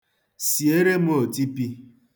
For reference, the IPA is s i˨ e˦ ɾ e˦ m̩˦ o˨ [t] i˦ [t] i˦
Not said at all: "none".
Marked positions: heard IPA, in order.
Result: t, p

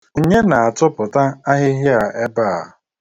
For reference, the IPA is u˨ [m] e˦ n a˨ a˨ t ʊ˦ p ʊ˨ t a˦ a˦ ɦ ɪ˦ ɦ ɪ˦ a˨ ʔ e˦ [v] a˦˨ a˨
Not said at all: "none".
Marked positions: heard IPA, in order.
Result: ɲ, b

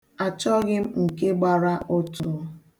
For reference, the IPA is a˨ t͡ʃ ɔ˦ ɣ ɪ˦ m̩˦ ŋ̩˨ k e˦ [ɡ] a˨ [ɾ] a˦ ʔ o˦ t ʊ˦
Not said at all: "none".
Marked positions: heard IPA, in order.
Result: ɡ͡b, ɾ

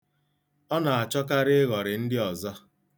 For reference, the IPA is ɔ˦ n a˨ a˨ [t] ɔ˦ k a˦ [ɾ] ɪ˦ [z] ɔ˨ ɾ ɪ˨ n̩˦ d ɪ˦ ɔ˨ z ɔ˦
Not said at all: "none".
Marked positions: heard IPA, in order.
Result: t͡ʃ, ɾ, ɣ

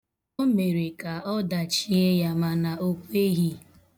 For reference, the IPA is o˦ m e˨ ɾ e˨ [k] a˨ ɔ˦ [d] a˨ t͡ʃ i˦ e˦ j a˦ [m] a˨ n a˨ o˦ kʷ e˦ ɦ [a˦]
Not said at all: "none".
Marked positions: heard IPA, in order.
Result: k, d, m, i˦

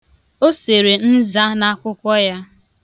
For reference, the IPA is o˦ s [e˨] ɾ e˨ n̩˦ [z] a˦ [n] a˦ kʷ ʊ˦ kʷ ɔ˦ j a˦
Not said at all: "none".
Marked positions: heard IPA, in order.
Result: e˨, z, n

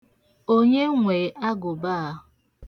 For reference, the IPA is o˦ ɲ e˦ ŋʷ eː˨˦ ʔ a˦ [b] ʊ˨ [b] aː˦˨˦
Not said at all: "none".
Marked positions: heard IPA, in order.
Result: ɡ, b

